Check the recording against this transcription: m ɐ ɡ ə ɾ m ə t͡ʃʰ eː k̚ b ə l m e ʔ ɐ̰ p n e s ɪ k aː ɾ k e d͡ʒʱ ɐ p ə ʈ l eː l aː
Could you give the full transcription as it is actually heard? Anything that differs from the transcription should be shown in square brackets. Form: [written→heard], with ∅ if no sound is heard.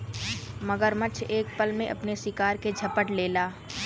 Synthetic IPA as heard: m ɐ ɡ ə ɾ m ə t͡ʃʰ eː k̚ [b→p] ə l m [e→ẽ] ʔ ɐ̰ p n e s ɪ k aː ɾ k e d͡ʒʱ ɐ p ə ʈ l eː l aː